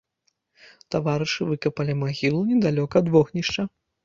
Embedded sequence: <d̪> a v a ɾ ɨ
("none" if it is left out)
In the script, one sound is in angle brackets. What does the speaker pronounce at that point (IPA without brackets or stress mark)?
t̪